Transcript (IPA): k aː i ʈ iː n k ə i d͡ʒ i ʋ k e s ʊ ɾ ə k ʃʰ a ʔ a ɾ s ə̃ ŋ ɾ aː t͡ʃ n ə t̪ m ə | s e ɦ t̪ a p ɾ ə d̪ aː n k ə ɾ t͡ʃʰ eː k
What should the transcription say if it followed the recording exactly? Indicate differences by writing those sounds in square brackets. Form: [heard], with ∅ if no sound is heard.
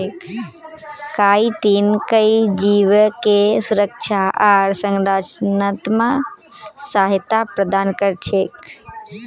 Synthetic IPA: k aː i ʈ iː n k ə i d͡ʒ i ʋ k e s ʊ ɾ ə k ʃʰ a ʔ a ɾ s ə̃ ŋ ɾ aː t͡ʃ n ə t̪ m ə | s [a] ɦ t̪ a p ɾ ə d̪ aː n k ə ɾ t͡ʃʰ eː k